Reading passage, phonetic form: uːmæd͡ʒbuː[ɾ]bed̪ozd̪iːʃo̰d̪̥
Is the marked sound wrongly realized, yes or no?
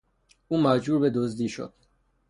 no